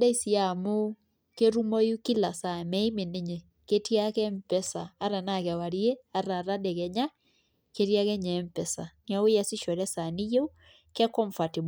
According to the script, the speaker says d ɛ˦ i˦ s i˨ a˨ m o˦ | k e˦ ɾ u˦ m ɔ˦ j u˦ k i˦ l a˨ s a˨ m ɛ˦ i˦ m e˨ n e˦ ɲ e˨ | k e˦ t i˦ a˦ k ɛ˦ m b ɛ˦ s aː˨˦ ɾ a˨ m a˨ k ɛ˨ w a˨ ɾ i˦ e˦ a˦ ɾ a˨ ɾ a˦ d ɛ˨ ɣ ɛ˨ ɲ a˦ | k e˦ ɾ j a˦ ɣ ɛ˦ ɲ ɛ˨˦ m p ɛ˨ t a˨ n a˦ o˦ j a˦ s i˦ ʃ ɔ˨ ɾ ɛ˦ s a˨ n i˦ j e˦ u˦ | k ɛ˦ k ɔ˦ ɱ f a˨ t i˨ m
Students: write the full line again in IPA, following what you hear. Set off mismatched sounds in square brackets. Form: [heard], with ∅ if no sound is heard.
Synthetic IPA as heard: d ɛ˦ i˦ s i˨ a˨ m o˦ | k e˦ ɾ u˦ m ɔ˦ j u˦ k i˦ l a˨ s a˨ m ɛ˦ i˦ m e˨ n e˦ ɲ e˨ | k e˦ t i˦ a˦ k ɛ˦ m [p] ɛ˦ s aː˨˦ ɾ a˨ [n] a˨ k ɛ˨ w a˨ ɾ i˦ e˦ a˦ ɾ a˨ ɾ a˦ d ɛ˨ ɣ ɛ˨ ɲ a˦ | k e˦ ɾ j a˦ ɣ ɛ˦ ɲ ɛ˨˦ m p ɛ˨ [s] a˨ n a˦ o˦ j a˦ s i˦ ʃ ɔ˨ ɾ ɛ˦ s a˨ n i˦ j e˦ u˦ | k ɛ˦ k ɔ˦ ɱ f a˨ t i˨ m